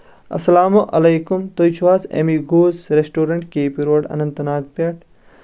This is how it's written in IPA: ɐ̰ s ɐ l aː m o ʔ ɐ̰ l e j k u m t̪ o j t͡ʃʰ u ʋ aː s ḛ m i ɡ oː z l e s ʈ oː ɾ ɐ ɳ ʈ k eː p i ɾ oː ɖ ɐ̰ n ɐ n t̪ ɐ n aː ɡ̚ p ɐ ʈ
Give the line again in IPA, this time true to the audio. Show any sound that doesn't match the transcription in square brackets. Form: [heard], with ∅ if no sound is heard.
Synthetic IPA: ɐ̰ s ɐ l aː m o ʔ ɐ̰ l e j k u m t̪ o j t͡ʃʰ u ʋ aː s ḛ m i ɡ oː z [ɾ] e s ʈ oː ɾ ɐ ɳ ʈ k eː p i ɾ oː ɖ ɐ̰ n ɐ n t̪ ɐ n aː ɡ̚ p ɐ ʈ

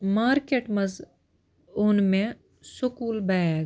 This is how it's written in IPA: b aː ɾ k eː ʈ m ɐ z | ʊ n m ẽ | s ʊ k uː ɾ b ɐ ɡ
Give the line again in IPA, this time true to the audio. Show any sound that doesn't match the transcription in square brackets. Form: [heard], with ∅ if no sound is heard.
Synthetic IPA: [m] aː ɾ k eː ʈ m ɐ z | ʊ n m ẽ | s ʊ k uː [l] b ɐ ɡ

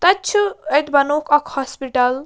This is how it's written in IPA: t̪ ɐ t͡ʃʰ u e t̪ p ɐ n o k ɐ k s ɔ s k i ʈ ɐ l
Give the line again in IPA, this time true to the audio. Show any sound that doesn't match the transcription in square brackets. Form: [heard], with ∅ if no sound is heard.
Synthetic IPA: t̪ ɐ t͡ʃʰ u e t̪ [b] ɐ n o k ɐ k [h] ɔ s [p] i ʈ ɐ l

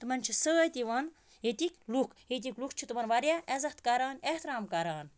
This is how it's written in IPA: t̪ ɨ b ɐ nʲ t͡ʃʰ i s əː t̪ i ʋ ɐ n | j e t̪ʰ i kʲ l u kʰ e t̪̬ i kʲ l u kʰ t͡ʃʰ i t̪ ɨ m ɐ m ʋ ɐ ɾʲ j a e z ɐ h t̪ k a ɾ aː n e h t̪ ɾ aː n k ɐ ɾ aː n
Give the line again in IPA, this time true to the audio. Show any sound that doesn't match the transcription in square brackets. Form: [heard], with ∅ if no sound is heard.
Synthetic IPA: t̪ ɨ [m] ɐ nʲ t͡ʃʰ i s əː t̪ i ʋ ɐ n | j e [t̪] i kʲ l u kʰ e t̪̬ i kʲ l u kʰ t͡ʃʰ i t̪ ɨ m ɐ [n] ʋ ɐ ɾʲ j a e z ɐ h t̪ k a ɾ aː n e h t̪ ɾ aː [m] k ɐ ɾ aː n

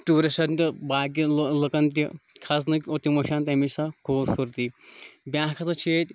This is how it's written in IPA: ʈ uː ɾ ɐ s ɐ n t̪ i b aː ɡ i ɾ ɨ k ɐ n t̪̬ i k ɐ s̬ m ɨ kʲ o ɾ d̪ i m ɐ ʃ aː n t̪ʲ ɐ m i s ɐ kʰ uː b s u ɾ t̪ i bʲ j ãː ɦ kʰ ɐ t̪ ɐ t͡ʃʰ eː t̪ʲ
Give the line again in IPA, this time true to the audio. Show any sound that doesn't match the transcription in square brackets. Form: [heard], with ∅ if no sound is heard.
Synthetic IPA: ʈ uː ɾ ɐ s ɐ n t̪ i b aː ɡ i [l] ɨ k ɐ n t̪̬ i [kʰ] ɐ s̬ [n] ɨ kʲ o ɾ [t̪] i m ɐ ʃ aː n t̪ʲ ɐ m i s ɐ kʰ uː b s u ɾ t̪ i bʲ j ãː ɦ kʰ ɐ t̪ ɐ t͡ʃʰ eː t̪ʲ

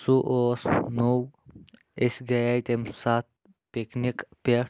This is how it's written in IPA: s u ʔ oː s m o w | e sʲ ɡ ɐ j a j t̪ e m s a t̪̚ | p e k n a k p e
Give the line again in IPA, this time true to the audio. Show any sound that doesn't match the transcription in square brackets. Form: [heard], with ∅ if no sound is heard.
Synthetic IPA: s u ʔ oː s [n] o w | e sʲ ɡ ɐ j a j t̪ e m s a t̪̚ | p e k n [i] k p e

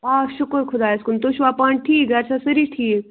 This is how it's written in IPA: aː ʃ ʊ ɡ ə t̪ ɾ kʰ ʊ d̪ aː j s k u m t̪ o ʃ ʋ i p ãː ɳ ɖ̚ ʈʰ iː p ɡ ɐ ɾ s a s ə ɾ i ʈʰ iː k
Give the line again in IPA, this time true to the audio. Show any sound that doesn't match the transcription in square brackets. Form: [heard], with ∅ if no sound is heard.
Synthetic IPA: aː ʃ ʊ [k] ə [∅] ɾ kʰ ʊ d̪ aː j s k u [n] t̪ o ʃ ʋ [a] p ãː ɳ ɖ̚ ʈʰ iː [k] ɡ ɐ ɾ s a s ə ɾ i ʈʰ iː k

